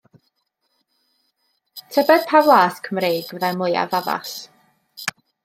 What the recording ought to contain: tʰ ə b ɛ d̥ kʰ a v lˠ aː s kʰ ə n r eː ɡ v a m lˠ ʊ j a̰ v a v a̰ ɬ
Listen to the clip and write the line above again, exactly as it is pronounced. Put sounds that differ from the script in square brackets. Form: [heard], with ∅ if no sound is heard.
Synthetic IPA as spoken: tʰ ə b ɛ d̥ [pʰ] a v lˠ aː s kʰ ə [m] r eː ɡ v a m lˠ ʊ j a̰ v a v a̰ ɬ